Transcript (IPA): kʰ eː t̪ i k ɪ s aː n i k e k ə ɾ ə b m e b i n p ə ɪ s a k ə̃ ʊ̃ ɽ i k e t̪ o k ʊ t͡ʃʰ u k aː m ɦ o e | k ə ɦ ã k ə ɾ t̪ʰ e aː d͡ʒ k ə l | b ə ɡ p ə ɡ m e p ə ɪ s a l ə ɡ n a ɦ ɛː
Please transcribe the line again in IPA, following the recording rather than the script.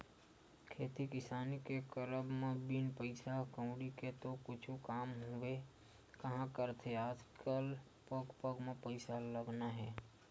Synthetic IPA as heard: kʰ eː t̪ i k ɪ s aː n i k e k ə ɾ ə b m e b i n p ə ɪ s a k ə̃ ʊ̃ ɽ i k e t̪ o k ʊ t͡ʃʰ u k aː m ɦ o e | k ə ɦ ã k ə ɾ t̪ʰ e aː d͡ʒ k ə l | p ə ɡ p ə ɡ m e p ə ɪ s a l ə ɡ n a ɦ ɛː